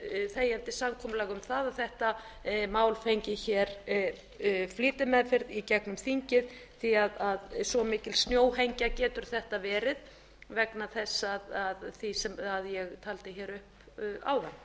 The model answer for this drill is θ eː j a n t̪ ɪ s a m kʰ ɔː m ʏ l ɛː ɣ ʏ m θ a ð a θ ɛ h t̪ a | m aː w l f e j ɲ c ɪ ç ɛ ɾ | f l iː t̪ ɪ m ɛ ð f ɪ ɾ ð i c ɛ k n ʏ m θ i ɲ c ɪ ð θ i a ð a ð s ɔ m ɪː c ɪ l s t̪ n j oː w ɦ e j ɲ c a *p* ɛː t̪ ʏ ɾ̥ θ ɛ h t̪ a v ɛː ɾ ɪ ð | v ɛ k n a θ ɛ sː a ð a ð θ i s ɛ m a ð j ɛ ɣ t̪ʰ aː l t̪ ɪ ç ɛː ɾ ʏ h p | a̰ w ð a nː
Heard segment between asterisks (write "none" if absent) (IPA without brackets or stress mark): c